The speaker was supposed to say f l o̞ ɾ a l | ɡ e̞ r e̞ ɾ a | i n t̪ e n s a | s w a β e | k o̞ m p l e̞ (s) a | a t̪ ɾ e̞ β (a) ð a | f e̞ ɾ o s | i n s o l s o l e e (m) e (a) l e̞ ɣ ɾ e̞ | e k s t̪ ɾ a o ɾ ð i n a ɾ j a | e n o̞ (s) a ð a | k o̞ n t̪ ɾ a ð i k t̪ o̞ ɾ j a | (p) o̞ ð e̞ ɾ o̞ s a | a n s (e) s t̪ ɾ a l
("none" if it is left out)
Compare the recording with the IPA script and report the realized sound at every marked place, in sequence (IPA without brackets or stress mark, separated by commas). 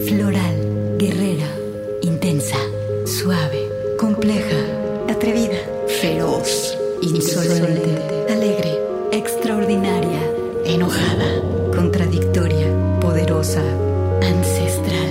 x, i, n, a, x, p, e